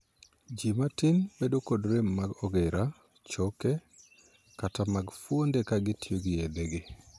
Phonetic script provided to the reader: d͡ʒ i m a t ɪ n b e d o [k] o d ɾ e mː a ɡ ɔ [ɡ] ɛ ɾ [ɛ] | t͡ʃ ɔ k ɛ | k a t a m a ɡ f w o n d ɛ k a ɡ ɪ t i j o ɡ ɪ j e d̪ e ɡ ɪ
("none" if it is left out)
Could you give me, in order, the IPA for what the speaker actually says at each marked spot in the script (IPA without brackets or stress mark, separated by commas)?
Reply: k, ɡ, a